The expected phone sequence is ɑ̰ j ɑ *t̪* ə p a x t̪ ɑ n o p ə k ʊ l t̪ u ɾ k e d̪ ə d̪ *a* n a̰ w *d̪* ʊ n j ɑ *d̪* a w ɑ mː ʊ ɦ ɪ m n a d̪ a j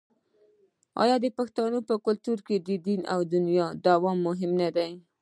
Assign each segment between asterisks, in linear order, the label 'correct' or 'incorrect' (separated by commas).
incorrect, incorrect, correct, correct